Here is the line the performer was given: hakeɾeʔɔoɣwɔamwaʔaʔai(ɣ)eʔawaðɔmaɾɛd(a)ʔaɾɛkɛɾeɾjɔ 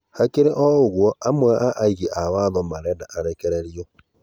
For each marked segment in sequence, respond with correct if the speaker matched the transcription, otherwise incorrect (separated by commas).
correct, correct